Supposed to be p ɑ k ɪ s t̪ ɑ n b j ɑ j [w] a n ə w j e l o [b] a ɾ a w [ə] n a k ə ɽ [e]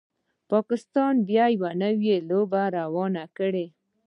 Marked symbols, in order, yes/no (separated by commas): yes, yes, no, yes